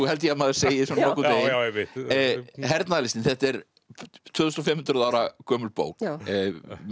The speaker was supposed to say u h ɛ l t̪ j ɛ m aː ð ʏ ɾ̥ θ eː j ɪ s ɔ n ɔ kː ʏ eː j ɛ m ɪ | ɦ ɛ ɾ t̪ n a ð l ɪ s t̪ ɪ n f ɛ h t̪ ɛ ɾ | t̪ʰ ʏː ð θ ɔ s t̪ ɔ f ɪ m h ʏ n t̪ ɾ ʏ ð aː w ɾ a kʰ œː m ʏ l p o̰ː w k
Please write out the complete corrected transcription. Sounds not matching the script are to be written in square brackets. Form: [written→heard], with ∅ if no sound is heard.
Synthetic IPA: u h ɛ l t̪ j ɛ m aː ð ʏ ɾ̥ [θ→s] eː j ɪ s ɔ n ɔ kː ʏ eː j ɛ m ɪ | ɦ ɛ ɾ t̪ n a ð l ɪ s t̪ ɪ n [f→θ] ɛ h t̪ ɛ ɾ | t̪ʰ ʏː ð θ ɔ s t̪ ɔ f ɪ m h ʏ n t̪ ɾ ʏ ð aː w ɾ a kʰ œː m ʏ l p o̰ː w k